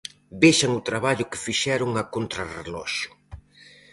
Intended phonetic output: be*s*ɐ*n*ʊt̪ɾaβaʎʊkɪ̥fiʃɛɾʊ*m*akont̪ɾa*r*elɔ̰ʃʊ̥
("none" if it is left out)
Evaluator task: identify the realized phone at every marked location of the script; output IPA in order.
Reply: ʃ, ŋ, ŋ, r

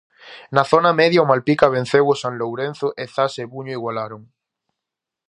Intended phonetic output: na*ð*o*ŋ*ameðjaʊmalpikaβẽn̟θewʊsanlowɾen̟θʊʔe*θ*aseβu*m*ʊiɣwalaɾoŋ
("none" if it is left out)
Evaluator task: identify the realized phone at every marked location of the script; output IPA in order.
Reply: θ, n, θ, ɲ

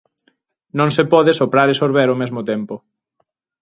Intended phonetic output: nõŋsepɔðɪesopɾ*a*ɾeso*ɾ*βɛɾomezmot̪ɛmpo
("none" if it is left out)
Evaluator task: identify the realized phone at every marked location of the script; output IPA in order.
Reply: a, ɾ

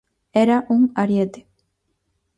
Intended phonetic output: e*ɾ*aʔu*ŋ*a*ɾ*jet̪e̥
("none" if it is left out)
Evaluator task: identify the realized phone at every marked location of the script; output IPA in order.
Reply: ɾ, ŋ, ɾ

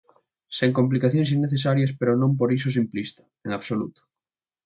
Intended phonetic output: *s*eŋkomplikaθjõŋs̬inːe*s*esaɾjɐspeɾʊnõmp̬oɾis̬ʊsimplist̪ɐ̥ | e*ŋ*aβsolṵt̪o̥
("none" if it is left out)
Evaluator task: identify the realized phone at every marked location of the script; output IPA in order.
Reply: s, θ, ŋ

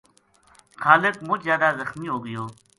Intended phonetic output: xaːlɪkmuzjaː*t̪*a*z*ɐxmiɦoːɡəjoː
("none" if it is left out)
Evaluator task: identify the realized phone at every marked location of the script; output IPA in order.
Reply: d̪, z

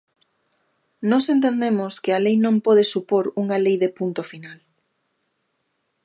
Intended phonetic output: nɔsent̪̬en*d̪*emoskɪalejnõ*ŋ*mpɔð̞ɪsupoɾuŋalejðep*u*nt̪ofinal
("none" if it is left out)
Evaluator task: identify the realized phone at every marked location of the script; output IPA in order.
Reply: d̪, none, u

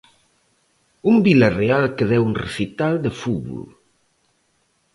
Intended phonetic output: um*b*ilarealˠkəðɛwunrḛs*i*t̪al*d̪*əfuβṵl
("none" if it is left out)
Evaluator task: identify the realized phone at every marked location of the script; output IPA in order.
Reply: b, i, d̪

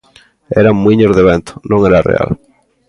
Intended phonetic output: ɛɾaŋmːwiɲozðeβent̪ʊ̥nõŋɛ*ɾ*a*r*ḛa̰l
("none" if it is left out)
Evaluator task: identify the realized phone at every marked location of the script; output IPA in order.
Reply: ɾ, r

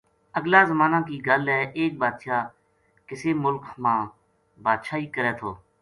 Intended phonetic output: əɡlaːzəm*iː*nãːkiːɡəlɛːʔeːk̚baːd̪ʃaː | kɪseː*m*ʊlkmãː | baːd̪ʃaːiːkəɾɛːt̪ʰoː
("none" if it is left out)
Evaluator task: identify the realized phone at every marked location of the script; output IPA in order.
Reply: aː, m

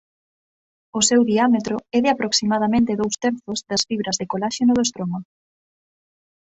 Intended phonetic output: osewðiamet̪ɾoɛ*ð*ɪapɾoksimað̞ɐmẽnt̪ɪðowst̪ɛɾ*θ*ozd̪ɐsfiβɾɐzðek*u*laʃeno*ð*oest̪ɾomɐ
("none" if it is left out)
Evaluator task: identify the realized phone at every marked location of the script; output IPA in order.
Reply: ð, θ, o, ð

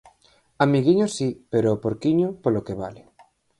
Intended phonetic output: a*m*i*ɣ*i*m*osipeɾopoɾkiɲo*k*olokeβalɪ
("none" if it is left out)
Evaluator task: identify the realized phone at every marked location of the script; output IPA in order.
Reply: m, ɣ, ɲ, p

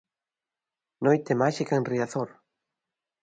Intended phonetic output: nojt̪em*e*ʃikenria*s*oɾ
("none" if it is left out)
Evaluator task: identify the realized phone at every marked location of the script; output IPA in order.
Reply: a, θ

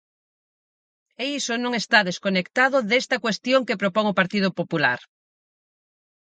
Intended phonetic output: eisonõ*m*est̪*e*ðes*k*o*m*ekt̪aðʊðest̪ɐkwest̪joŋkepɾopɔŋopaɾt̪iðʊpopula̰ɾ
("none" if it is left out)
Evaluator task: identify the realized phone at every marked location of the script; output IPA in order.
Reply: ŋ, a, k, n

